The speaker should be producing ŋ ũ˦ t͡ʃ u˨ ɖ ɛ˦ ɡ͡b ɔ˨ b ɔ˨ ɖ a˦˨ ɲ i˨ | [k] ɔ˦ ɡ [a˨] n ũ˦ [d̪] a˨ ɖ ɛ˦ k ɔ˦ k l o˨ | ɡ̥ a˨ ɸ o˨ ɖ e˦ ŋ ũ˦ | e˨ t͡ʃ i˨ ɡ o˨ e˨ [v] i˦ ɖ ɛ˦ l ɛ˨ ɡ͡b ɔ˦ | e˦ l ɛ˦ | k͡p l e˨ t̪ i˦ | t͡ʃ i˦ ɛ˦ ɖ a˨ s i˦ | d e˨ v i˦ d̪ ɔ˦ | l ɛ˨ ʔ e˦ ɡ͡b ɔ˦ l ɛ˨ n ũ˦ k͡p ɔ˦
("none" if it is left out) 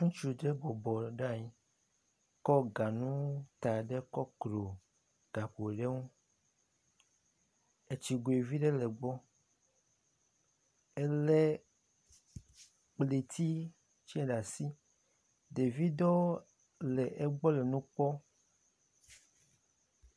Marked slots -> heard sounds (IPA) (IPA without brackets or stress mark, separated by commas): k, a˨, t̪, v